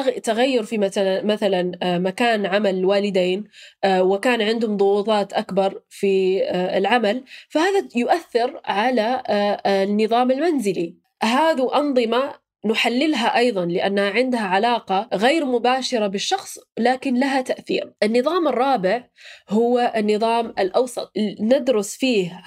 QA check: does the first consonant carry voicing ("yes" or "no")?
no